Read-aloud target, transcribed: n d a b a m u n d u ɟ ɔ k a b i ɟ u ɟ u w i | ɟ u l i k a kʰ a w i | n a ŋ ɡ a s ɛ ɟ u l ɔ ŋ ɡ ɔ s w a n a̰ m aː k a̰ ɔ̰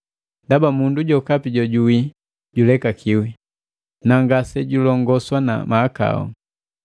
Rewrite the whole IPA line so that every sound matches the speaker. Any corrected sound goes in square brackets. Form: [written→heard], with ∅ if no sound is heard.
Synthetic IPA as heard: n d a b a m u n d u ɟ ɔ k a [b→p] i ɟ [u→ɔ] ɟ u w i | ɟ u l [i→ɛ] k a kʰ [a→i] w i | n a ŋ ɡ a s ɛ ɟ u l ɔ ŋ ɡ ɔ s w a n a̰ m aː k a̰ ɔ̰

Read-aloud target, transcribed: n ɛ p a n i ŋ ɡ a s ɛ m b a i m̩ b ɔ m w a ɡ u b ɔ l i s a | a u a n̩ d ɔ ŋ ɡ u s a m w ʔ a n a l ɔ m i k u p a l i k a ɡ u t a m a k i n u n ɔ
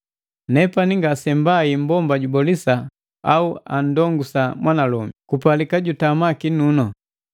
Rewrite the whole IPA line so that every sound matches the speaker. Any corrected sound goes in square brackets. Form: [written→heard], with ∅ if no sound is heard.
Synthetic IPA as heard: n ɛ p a n i ŋ ɡ a s ɛ m b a i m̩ b ɔ m [w→b] a [ɡ→ɟ] u b ɔ l i s a | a u a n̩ d ɔ ŋ ɡ u s a m w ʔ a n a l ɔ m i k u p a l i k a [ɡ→ɟ] u t a m a k i n u n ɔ

